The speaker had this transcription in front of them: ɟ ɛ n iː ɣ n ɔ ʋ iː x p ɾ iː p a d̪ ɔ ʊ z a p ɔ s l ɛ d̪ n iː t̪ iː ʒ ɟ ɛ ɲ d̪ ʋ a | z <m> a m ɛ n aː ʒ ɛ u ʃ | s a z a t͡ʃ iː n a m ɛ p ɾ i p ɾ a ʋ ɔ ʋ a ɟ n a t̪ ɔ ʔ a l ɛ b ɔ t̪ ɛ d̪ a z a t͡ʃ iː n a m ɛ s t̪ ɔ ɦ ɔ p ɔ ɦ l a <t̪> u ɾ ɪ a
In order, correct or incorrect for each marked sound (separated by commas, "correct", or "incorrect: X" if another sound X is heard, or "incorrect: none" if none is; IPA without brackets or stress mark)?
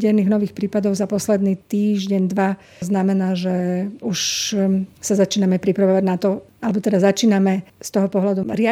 incorrect: n, incorrect: d̪